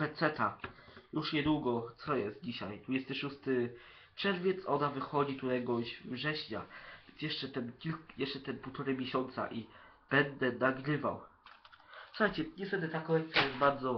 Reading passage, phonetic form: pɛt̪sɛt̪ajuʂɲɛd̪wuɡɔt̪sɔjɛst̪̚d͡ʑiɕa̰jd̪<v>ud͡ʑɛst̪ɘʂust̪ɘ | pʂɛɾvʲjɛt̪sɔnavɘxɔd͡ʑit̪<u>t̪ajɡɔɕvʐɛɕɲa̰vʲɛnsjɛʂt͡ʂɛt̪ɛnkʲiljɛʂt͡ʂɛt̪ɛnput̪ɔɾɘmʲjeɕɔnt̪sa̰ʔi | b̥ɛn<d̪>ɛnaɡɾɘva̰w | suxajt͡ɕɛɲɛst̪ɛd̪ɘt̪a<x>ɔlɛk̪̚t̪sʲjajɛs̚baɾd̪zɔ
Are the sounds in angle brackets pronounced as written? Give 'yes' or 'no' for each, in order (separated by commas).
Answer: yes, yes, yes, no